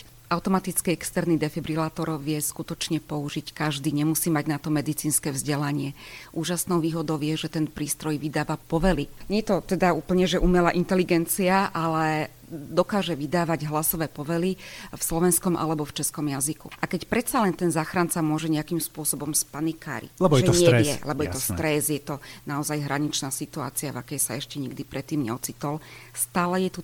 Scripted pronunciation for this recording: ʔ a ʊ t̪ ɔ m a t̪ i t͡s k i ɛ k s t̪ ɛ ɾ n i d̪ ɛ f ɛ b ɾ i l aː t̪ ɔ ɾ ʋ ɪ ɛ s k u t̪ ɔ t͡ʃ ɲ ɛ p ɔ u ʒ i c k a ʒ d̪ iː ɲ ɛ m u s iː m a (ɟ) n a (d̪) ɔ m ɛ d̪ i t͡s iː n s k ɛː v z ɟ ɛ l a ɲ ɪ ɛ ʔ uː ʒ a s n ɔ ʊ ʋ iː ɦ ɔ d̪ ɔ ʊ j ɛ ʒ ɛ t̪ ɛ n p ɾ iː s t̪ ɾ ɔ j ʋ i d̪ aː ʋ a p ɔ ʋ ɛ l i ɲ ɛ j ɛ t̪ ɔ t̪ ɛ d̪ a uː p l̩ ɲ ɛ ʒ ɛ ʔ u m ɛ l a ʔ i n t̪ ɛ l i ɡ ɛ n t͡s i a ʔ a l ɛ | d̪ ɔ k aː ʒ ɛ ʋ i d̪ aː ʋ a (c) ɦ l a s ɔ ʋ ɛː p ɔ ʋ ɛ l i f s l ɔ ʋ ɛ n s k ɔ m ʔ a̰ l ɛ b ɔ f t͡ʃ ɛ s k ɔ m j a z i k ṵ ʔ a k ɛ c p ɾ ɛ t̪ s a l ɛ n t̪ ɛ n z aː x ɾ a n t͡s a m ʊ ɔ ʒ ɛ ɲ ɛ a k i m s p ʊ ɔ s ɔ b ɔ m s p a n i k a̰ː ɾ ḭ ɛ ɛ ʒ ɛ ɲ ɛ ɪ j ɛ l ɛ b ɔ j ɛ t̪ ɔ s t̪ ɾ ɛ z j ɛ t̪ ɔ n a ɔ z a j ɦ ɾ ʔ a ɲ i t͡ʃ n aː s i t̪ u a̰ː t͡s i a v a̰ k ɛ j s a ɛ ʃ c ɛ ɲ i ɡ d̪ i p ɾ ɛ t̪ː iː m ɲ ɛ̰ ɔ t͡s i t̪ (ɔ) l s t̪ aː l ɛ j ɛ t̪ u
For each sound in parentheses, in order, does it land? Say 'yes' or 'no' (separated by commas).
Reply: yes, no, no, yes